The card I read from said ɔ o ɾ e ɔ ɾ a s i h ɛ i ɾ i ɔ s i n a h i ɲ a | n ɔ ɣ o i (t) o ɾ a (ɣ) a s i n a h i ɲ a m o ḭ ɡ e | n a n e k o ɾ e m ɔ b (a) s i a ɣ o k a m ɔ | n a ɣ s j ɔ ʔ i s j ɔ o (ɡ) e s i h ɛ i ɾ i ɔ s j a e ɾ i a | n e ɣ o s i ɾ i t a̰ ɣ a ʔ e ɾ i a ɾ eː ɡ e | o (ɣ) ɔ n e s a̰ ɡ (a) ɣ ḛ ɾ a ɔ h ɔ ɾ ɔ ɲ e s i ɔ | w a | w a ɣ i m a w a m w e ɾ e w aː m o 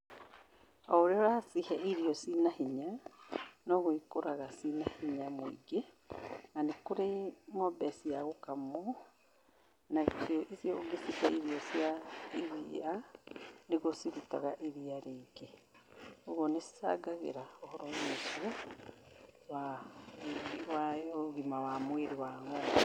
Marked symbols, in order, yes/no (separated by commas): no, yes, no, yes, yes, yes